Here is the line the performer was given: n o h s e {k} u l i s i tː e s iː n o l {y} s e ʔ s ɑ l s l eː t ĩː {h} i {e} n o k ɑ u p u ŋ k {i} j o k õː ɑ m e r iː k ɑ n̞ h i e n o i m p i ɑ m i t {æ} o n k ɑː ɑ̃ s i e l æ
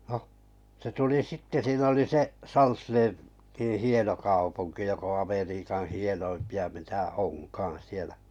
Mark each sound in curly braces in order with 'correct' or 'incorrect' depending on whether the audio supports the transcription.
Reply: incorrect: t, incorrect: i, correct, correct, correct, correct

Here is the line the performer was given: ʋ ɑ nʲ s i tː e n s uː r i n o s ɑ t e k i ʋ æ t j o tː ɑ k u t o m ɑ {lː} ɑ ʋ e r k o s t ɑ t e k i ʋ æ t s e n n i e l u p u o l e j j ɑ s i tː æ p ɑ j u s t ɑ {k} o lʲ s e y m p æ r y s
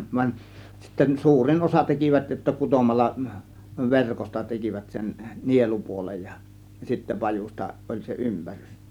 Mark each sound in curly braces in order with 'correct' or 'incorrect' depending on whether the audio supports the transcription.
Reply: correct, incorrect: ʔ

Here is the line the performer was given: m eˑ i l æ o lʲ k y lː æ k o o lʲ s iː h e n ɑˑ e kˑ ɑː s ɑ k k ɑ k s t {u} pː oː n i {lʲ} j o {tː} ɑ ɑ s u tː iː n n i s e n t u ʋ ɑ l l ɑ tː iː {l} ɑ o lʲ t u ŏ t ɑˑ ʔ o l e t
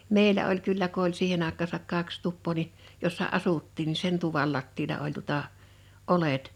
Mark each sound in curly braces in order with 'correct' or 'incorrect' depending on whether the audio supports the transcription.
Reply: correct, incorrect: none, incorrect: sː, correct

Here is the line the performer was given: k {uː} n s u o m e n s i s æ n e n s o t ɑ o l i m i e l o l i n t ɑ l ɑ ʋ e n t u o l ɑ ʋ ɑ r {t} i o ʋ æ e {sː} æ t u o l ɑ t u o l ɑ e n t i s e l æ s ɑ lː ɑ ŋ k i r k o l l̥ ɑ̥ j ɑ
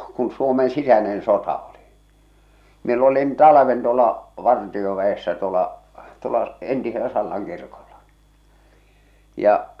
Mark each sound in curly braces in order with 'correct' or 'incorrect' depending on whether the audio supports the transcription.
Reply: incorrect: u, correct, correct

